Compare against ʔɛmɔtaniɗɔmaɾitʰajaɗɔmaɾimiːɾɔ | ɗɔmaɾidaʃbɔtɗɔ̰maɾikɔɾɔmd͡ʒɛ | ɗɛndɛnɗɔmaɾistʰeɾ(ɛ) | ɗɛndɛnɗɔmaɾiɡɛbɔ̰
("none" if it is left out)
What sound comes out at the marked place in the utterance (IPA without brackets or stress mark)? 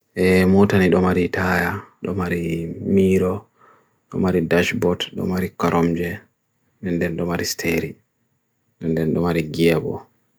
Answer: i